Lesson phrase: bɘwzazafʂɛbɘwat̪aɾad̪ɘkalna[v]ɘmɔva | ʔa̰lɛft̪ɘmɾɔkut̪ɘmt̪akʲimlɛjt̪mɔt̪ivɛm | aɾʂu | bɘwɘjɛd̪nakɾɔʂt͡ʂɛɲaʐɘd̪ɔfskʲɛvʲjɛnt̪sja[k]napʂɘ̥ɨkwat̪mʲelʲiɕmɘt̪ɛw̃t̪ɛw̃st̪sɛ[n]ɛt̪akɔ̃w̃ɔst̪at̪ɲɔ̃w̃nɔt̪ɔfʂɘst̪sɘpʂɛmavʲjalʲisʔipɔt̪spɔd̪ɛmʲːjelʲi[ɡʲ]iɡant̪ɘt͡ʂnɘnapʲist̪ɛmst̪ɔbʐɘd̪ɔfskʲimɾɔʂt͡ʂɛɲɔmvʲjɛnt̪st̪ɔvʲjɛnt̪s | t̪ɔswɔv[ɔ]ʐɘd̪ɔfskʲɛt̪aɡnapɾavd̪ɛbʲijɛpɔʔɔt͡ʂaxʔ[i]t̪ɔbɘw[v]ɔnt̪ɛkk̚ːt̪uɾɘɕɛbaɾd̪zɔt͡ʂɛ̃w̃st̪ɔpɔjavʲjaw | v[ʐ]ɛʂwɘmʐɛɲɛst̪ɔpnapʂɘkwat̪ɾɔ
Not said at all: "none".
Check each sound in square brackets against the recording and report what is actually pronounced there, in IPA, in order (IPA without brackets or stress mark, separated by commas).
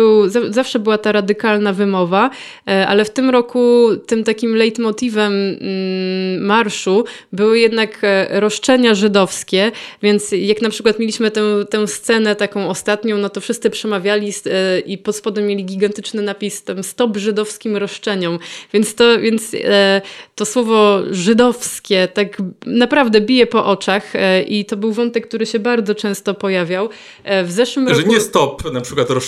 v, k, n, ɡʲ, ɔ, i, v, z